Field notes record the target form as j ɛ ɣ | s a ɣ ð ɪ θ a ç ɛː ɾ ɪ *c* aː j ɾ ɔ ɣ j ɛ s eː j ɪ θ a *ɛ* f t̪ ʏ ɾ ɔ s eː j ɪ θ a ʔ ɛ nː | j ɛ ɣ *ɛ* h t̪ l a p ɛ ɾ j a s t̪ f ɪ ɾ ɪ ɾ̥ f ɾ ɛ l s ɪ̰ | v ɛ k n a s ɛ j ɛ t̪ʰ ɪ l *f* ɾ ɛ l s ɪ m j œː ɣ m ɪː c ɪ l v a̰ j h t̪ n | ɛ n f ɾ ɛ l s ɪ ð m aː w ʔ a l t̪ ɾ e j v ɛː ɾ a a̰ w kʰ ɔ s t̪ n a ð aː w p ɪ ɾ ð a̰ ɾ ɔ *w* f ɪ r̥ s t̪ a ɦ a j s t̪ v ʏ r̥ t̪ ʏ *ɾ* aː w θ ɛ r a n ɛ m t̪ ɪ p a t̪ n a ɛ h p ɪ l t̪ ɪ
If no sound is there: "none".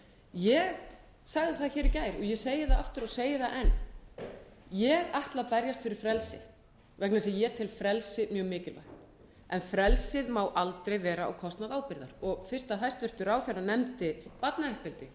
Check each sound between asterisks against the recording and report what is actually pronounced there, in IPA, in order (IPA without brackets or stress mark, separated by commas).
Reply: c, a, a, f, ɣ, ɾ